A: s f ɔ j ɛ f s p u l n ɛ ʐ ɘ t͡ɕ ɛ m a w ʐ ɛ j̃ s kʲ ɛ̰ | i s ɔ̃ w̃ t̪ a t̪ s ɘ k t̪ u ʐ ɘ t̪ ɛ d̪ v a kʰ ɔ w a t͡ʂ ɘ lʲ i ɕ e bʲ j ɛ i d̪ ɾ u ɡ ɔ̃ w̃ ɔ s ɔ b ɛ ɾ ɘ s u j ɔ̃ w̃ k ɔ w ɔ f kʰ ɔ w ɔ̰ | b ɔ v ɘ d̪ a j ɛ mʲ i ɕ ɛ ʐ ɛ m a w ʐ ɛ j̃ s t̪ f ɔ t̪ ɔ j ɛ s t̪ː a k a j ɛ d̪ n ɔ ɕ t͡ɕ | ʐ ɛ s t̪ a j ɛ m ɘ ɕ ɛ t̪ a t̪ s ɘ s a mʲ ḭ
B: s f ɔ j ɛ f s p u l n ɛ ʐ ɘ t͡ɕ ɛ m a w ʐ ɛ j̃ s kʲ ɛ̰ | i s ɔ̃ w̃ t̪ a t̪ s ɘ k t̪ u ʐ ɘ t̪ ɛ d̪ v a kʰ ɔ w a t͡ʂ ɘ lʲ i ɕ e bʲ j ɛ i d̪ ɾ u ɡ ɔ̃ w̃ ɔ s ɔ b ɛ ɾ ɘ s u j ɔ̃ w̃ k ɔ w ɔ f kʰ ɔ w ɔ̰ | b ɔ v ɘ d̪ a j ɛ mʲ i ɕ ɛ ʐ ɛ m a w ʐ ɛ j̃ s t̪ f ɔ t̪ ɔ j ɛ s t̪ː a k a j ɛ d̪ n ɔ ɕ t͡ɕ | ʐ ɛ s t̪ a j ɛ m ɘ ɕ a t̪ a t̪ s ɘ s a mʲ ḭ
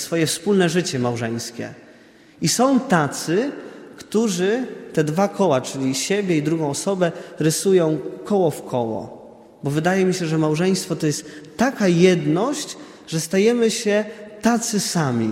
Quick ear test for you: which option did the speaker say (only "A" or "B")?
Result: A